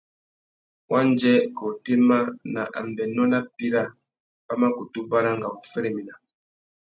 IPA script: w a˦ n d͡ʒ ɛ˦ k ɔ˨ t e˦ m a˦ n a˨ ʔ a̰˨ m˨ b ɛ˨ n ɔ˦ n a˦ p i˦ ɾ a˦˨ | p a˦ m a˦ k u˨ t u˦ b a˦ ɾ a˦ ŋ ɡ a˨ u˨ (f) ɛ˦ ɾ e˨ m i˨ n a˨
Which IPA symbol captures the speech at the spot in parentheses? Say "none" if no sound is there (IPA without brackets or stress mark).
f